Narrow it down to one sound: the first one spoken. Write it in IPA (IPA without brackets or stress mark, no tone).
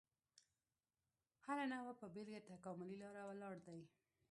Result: h